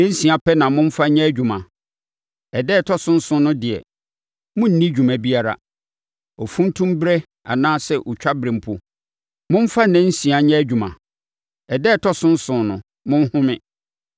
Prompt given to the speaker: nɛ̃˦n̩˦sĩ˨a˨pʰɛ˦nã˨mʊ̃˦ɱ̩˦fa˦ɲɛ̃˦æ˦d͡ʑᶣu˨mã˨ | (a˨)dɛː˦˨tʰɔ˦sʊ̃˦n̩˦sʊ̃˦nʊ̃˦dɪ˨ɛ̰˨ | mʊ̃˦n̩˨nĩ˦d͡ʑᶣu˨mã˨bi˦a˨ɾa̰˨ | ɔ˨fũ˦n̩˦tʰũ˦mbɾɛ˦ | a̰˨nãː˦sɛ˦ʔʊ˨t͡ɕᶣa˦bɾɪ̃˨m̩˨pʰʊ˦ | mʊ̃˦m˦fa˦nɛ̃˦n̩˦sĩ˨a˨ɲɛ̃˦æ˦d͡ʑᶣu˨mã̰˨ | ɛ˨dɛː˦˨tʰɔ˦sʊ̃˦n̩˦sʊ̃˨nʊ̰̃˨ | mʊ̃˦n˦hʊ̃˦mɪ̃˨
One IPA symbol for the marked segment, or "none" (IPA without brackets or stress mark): ɛ˨